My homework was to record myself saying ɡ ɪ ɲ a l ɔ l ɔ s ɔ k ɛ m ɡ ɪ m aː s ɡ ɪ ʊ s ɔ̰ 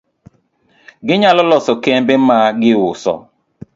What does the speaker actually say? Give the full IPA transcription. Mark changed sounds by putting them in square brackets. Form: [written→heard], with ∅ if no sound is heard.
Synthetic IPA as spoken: ɡ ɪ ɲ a l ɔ l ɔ s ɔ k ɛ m [ɡ→b] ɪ m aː [s→∅] ɡ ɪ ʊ s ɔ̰